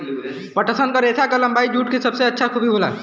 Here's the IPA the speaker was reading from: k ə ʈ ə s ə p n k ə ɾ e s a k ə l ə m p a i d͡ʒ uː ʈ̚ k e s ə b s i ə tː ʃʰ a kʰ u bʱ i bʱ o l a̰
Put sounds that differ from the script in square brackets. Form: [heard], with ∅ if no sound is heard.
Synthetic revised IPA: [p] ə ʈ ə s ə [∅] n k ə ɾ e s a k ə l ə m [b] a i d͡ʒ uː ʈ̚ k e s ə b s [e] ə tː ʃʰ a kʰ u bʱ i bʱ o l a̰